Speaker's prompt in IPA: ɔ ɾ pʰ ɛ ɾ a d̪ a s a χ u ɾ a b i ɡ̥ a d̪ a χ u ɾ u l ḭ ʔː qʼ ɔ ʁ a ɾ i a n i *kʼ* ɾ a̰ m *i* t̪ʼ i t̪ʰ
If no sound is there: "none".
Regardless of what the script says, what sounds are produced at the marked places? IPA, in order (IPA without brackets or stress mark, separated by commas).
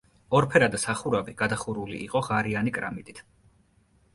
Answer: kʼ, i